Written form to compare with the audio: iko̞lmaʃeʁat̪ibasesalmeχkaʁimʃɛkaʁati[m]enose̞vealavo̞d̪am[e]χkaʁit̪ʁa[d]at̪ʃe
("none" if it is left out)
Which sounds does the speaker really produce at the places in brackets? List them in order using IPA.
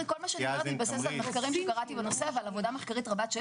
b, e, b

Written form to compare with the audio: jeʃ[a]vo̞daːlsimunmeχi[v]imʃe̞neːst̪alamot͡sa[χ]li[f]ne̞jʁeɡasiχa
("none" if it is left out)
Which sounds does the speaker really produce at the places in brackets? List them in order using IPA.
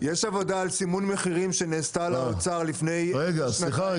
a, ʁ, ʁ, f

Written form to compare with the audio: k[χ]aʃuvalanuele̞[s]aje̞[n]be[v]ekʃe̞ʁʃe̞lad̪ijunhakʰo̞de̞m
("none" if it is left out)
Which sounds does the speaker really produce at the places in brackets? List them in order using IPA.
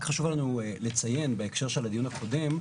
χ, t͡s, n, none

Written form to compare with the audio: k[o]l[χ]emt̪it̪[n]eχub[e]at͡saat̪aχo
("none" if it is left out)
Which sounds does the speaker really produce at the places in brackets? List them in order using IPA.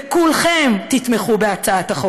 u, χ, m, e

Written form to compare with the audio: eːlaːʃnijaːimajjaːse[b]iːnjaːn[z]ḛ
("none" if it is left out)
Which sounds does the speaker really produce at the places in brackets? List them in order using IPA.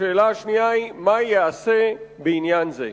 b, z

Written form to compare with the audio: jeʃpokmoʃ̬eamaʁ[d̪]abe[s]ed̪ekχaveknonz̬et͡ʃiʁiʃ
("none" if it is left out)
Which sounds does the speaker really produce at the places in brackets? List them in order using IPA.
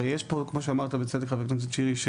t̪, t͡s

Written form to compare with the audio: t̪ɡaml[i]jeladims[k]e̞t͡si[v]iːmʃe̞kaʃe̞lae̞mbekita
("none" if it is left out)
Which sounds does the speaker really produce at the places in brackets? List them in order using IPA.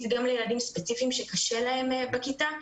e, p, f

